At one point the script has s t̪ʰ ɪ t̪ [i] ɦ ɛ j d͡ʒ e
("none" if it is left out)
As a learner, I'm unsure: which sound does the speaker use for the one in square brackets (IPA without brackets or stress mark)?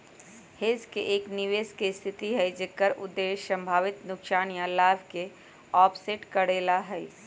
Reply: i